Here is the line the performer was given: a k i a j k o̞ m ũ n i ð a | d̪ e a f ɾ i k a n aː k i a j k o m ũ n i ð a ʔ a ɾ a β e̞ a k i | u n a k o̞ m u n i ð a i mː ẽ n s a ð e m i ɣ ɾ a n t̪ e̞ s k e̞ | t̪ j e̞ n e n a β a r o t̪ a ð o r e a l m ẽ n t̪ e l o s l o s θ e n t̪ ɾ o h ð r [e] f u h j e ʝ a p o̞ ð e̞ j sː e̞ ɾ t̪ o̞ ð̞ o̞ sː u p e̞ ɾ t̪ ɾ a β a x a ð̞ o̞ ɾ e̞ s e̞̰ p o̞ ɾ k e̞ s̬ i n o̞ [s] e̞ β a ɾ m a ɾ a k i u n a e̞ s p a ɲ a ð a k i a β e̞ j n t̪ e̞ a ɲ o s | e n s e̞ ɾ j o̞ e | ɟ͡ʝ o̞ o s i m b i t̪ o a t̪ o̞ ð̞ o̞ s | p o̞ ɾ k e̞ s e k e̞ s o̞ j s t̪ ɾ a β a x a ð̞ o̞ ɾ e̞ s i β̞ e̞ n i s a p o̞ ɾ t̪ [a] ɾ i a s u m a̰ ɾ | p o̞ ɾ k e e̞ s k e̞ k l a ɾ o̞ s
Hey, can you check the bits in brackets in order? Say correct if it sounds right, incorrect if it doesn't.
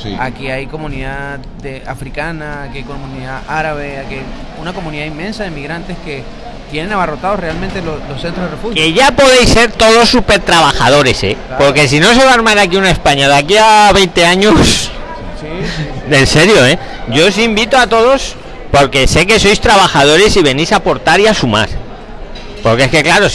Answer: correct, correct, correct

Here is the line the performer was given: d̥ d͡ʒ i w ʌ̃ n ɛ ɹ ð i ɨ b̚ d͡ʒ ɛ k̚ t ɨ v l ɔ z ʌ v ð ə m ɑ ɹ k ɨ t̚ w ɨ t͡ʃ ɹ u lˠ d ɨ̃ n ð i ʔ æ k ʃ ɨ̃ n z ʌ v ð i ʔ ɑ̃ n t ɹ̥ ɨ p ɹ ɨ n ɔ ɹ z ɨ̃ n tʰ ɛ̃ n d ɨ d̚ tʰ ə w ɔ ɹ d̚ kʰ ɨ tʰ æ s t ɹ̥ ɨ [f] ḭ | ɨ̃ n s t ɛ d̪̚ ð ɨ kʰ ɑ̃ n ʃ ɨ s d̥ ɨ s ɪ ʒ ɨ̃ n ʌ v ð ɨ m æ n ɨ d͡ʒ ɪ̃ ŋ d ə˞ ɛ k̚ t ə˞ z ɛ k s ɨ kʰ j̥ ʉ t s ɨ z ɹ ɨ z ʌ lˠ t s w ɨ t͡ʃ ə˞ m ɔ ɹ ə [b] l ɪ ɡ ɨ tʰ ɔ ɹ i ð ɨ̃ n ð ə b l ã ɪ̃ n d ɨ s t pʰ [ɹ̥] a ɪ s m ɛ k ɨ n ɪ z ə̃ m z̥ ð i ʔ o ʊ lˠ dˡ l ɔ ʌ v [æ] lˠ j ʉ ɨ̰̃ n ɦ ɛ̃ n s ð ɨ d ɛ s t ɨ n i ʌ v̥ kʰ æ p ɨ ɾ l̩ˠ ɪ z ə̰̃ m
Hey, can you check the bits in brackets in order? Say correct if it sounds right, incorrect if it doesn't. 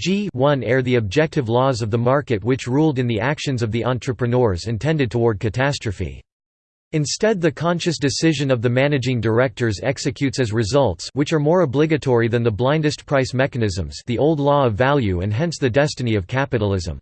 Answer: correct, correct, correct, correct

